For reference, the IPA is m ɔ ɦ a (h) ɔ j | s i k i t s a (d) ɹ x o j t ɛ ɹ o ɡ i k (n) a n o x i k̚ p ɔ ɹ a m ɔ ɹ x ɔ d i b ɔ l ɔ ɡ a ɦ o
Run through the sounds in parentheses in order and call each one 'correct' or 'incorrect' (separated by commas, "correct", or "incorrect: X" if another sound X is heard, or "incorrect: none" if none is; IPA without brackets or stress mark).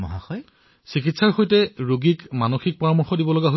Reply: incorrect: x, incorrect: none, incorrect: m